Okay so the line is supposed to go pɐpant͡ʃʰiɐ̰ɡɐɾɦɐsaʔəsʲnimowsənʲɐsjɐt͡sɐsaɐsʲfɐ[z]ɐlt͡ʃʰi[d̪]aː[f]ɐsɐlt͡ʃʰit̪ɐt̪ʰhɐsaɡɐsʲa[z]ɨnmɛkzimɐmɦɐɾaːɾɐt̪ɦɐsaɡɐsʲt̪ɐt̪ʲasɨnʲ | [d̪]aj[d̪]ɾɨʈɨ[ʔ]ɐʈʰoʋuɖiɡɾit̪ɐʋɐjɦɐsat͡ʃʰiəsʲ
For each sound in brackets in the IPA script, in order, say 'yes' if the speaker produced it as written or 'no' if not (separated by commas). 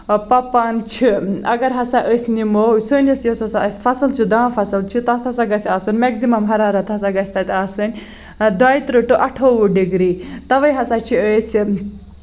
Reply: no, yes, yes, no, yes, no, yes